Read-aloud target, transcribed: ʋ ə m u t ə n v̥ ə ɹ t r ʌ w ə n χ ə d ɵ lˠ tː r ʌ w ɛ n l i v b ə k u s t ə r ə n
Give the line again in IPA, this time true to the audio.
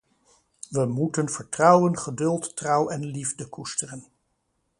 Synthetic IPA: ʋ ə m u t ə n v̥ ə ɹ t r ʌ w ə n χ ə d ɵ lˠ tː r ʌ w ɛ n l i v d ə k u s t ə r ə n